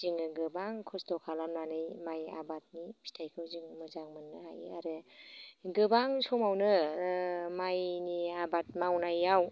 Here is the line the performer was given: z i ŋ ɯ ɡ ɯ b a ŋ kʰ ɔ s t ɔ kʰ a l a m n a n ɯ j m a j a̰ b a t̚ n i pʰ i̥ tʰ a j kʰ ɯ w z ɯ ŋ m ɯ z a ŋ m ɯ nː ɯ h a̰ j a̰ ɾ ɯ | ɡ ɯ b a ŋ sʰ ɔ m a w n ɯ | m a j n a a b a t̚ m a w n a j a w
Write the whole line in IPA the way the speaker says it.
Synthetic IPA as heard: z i ŋ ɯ ɡ ɯ b a ŋ kʰ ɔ s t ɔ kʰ a l a m n a n ɯ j m a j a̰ b a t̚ n i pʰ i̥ tʰ a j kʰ ɯ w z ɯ ŋ m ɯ z a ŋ m ɯ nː ɯ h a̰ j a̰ ɾ ɯ | ɡ ɯ b a ŋ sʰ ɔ m a w n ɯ | m a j n i a b a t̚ m a w n a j a w